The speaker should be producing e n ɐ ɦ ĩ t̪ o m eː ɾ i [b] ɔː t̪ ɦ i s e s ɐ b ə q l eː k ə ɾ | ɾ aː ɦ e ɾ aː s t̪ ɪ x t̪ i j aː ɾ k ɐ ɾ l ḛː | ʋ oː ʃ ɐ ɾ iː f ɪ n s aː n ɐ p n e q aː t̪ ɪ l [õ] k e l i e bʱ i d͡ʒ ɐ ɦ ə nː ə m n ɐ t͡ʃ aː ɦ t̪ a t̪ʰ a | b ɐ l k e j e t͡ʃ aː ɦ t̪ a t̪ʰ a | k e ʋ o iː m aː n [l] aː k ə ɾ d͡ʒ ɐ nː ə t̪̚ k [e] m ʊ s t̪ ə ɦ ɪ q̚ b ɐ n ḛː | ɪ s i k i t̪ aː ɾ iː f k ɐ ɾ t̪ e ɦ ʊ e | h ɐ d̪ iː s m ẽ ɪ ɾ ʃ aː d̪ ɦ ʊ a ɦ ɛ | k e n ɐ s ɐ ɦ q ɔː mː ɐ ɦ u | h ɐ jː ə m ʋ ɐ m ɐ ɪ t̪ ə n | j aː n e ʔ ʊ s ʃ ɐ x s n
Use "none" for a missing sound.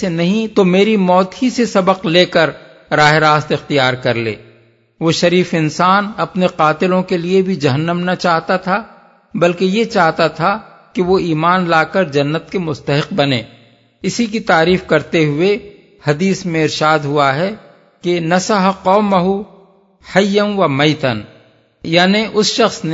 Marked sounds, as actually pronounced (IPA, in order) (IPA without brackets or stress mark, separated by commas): m, õ, l, e